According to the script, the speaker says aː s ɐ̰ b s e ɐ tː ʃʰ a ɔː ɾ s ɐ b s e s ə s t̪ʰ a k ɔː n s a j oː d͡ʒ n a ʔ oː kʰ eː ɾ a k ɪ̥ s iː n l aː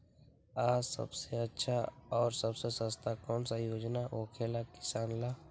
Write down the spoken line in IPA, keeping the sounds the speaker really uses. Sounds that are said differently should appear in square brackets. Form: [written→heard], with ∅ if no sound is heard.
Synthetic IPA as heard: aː s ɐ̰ b s e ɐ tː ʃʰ a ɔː ɾ s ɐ b s e s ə s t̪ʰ a k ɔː n s a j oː d͡ʒ n a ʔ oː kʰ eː [ɾ→l] a k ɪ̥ s [iː→aː] n l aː